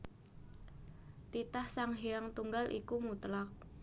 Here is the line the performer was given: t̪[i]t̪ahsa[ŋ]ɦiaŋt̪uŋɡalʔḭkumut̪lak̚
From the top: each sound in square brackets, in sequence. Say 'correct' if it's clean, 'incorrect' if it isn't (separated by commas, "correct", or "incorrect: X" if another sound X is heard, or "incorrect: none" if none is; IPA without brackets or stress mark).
correct, correct